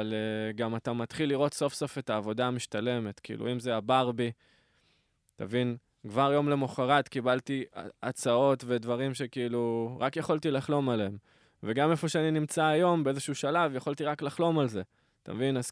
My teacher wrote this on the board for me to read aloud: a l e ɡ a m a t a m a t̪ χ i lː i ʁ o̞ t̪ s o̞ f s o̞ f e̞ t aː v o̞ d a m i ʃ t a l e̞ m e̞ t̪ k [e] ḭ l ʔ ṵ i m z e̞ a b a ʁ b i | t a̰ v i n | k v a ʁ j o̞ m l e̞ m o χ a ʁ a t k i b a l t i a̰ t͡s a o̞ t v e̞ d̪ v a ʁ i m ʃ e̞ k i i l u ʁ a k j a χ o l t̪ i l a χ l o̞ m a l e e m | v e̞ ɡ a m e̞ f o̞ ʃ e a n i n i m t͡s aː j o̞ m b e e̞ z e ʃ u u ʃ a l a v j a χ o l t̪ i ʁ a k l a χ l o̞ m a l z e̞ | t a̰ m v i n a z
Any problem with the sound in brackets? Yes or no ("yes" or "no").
yes